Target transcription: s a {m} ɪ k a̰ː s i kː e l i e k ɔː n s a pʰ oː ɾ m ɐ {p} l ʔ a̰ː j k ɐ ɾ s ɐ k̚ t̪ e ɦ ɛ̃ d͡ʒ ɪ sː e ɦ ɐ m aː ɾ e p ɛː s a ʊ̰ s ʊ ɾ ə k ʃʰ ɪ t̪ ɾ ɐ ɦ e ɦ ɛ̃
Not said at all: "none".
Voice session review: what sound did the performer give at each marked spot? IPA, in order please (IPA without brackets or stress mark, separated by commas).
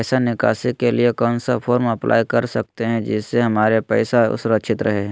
n, p